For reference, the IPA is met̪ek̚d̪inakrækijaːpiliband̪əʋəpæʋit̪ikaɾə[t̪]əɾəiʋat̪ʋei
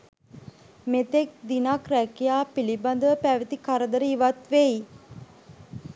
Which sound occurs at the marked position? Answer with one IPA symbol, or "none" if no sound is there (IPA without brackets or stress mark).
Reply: d̪